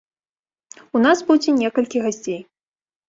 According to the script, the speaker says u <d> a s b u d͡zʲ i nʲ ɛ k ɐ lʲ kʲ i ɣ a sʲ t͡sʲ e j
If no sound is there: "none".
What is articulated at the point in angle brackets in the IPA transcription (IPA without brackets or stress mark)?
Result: n